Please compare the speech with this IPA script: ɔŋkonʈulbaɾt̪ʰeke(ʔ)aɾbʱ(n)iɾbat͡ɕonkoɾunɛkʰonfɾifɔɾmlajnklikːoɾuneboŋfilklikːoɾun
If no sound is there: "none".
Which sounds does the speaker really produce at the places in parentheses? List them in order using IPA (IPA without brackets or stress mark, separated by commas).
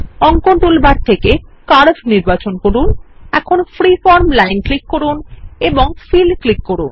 k, n